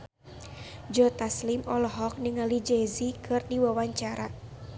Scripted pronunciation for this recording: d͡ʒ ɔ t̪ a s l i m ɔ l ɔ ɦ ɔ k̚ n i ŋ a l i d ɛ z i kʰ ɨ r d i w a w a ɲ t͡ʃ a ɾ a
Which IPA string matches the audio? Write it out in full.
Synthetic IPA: d͡ʒ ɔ t̪ a s l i m ɔ l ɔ ɦ ɔ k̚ n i ŋ a l i d͡ʒ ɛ z i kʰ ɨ r d i w a w a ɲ t͡ʃ a ɾ a